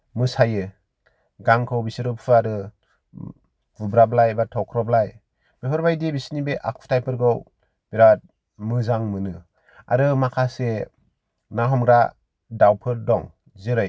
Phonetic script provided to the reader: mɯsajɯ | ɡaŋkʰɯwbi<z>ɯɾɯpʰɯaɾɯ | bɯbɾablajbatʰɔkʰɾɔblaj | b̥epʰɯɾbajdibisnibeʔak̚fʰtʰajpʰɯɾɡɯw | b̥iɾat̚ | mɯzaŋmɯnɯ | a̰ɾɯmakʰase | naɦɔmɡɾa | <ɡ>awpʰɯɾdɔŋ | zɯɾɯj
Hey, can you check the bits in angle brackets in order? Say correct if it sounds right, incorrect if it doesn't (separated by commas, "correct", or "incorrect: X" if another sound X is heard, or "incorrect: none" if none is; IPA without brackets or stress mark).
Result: incorrect: s, incorrect: d